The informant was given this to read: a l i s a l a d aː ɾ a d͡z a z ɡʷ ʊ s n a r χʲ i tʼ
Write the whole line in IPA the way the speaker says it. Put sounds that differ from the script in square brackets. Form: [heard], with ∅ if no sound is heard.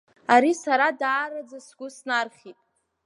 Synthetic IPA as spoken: a [ɾ] i s a [ɾ] a d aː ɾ a d͡z a [s] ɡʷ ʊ s n a r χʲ i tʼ